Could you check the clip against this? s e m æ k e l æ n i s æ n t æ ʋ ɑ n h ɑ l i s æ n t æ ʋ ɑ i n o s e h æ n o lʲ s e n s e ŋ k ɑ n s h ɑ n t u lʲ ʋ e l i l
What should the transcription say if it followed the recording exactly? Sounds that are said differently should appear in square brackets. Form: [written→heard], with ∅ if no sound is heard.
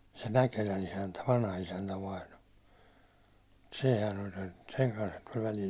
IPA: s e m æ k e l æ n i s æ n t æ ʋ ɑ n h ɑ [l→∅] i s æ n t æ ʋ ɑ i n o s e h æ n o lʲ s e n s e ŋ k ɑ n s h ɑ n t u lʲ ʋ [e→æ] l i l